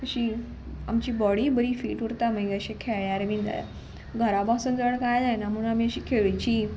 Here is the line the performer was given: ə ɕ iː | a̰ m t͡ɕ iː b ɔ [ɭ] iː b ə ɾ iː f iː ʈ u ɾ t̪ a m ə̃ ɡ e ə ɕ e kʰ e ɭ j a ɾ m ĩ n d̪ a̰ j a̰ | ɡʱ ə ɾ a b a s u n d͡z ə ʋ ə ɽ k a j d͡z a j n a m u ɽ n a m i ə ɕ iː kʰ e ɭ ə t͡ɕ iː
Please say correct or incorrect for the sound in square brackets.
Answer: incorrect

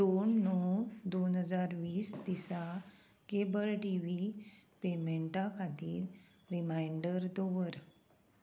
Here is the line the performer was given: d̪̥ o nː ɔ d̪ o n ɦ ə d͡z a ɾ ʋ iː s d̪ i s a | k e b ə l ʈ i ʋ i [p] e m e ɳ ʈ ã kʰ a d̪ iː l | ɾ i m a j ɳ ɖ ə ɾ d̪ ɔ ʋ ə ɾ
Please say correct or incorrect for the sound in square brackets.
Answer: correct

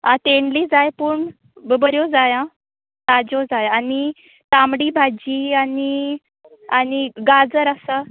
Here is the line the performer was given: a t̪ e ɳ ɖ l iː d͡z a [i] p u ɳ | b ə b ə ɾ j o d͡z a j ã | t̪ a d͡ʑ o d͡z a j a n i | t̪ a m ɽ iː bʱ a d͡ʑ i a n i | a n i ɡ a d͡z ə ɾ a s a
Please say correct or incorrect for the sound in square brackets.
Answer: incorrect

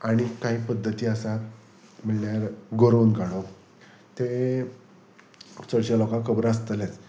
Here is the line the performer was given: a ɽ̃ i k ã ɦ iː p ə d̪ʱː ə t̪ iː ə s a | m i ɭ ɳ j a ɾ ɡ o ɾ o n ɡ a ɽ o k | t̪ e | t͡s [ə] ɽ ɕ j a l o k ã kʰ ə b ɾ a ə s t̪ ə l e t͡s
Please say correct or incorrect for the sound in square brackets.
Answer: correct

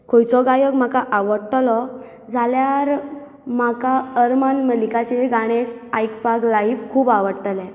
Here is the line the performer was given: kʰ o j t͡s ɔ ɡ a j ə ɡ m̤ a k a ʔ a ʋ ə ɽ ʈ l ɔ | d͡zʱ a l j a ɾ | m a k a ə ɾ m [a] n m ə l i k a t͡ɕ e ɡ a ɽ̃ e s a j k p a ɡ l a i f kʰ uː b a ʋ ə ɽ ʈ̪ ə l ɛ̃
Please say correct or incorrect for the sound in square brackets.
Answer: correct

